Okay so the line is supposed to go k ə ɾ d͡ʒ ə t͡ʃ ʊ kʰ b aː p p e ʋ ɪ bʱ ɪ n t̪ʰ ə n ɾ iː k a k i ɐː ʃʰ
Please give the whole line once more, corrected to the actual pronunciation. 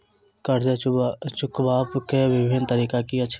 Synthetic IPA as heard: k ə ɾ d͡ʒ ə t͡ʃ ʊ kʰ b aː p k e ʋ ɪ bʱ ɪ n t̪ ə ɾ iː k a k i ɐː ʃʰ